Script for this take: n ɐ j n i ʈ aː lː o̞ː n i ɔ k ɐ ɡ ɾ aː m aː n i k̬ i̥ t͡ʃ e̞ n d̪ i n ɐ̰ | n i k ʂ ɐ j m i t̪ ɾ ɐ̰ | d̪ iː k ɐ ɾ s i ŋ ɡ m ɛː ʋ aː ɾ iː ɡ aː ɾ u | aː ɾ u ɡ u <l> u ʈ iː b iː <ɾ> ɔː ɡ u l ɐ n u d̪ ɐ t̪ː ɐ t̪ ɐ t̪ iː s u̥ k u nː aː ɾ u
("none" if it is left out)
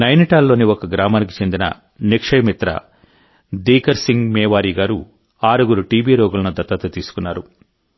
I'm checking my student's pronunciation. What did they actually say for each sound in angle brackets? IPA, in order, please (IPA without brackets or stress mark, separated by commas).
ɾ, ɾ